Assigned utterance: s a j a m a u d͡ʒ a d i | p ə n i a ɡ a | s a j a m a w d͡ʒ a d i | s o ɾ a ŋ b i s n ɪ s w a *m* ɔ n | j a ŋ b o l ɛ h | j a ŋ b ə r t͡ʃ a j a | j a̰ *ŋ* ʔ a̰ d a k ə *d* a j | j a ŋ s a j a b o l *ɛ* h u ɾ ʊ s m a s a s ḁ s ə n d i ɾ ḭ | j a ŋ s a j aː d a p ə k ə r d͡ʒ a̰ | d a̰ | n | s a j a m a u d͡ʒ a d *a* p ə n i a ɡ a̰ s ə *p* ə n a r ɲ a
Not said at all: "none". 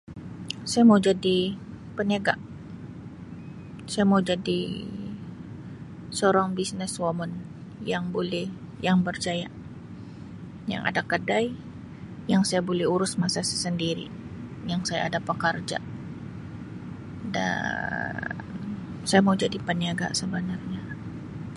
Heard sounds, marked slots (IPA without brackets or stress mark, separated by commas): m, ŋ, d, ɛ, i, b